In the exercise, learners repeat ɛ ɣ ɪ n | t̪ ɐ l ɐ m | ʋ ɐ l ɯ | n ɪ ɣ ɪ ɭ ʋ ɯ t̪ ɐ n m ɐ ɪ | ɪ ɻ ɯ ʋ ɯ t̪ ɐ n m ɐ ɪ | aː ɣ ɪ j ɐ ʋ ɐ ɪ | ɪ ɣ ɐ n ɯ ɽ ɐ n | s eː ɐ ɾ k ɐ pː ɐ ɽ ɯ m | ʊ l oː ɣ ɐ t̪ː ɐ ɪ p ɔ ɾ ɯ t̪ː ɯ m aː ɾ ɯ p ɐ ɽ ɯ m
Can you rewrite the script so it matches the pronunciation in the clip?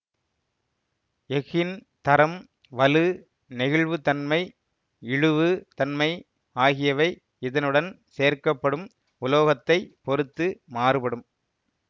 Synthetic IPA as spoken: ɛ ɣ ɪ n | t̪ ɐ ɾ ɐ m | ʋ ɐ l ɯ | n ɪ ɣ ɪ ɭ ʋ ɯ t̪ ɐ n m ɐ ɪ | ɪ ɻ ɯ ʋ ɯ t̪ ɐ n m ɐ ɪ | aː ɣ ɪ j ɐ ʋ ɐ ɪ | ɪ ð ɐ n ɯ ɽ ɐ n | s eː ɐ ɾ k ɐ pː ɐ ɽ ɯ m | ʊ l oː ɣ ɐ t̪ː ɐ ɪ p ɔ ɾ ɯ t̪ː ɯ m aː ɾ ɯ p ɐ ɽ ɯ m